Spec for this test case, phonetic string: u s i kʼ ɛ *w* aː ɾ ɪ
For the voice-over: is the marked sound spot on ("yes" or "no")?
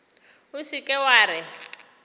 yes